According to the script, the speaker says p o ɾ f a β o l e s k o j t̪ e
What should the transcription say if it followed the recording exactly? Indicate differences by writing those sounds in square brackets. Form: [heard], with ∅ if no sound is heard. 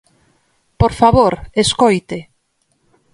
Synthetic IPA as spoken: p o ɾ f a β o [ɾ] e s k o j t̪ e